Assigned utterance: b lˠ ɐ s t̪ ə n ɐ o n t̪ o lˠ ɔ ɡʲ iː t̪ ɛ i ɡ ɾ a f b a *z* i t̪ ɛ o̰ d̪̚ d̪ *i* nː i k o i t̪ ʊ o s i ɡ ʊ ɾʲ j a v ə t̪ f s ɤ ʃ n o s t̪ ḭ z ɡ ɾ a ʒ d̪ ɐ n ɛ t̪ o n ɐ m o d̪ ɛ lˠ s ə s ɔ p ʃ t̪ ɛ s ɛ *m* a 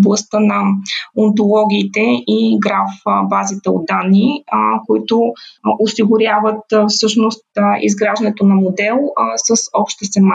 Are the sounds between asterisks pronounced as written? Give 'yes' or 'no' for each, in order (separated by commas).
yes, no, yes